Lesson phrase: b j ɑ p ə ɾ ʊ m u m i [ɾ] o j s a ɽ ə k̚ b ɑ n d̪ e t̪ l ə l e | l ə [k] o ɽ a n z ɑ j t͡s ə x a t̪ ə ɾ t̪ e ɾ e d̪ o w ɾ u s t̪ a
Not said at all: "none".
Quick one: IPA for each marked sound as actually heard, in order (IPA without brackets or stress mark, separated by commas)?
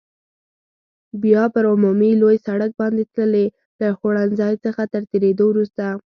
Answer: l, x